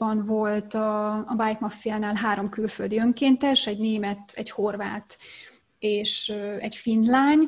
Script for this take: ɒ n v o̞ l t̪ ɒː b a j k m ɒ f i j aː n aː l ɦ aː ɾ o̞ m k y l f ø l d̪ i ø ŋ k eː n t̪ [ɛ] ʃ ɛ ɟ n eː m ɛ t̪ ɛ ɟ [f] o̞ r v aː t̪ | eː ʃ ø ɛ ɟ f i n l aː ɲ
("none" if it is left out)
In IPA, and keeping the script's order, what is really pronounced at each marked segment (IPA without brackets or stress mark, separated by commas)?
ɛ, h